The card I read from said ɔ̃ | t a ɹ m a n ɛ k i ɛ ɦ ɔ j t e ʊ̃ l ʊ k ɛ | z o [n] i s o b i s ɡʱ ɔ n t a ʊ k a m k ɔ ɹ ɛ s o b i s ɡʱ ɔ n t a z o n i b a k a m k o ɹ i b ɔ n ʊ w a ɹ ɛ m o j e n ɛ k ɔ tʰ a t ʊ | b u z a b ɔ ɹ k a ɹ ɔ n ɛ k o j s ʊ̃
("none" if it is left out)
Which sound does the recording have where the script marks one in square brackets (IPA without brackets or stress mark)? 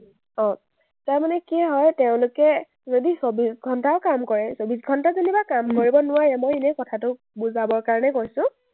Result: d